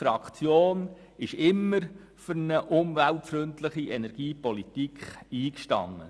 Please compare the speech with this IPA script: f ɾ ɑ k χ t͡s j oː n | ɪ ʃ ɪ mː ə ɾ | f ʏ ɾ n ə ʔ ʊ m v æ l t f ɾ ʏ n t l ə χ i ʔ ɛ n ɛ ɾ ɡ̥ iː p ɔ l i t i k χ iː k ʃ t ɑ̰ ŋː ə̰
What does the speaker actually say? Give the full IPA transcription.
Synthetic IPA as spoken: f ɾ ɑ k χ t͡s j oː n | ɪ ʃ ɪ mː ə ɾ | f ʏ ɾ n ə ʔ ʊ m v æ l t f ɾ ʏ n t l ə χ i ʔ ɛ n ɛ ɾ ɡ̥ iː p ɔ l i t i k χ iː k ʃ t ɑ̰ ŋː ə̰